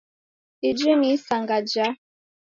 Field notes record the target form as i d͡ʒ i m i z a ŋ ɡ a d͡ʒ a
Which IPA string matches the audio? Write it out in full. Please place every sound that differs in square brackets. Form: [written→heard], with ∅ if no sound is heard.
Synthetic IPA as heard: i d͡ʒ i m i [z→s] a ŋ ɡ a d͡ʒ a